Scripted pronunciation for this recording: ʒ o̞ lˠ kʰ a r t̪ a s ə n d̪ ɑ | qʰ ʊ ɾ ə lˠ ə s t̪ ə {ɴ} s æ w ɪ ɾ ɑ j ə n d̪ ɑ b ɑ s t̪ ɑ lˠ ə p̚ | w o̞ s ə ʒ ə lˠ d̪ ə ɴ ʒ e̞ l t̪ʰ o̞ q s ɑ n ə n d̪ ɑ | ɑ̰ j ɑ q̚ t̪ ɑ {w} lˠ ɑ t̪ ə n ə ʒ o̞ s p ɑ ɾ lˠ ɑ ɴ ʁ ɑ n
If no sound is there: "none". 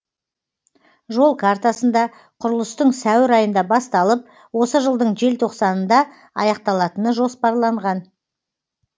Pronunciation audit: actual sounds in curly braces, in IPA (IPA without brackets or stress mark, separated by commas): ɴ, none